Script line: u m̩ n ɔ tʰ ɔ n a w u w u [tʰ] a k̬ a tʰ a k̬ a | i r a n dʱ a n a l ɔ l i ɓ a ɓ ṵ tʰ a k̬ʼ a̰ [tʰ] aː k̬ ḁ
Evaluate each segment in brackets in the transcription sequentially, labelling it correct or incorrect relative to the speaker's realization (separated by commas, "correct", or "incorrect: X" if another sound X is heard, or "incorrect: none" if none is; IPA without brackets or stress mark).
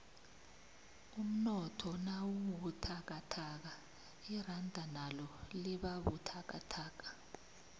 correct, correct